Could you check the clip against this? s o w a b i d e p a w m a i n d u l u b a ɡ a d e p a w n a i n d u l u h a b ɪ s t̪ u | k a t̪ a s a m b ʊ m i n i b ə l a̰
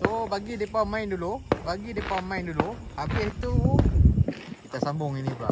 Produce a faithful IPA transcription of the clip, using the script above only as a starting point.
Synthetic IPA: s o b a ɡ i d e p a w m a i n d u l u b a ɡ i d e p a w m a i n d u l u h a b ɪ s t̪ u | k i t̪ a s a m b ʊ ŋ i n i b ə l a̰